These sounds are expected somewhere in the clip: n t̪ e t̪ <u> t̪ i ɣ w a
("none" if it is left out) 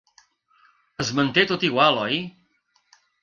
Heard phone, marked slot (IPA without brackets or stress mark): o